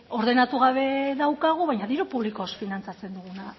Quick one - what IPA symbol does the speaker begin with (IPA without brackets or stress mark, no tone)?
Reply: o̞